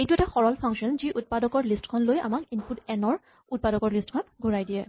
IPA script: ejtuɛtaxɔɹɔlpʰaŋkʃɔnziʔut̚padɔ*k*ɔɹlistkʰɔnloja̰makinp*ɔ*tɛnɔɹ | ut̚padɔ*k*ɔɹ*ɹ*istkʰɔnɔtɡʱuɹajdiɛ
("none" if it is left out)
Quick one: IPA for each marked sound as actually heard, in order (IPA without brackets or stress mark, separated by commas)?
k, u, k, l